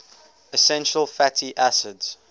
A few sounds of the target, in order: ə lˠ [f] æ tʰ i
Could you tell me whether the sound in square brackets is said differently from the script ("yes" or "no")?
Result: no